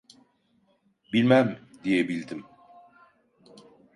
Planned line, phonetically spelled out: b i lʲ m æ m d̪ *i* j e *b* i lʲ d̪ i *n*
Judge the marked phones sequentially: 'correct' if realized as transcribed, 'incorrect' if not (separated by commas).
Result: correct, correct, incorrect